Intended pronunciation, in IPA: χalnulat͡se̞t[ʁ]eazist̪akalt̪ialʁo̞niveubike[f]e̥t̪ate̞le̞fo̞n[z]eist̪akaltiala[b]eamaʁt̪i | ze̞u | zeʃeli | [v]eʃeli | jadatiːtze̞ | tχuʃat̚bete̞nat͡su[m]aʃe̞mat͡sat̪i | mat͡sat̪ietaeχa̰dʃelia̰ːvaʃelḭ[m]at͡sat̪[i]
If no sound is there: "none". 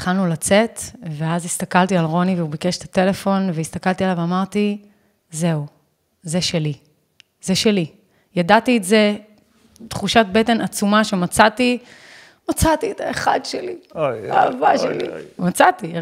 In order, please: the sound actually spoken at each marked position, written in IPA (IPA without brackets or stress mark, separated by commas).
v, ʃ, v, v, z, m, m, i